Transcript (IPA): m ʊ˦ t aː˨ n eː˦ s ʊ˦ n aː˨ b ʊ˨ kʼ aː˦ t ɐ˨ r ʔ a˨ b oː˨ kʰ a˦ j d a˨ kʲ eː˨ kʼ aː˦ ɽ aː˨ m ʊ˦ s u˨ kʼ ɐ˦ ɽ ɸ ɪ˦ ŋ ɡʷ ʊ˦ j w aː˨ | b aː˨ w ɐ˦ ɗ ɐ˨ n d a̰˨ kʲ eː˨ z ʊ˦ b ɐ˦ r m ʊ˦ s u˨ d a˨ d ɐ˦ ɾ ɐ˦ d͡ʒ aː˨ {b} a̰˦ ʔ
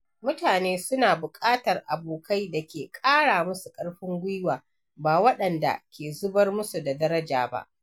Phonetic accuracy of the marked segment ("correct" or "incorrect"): correct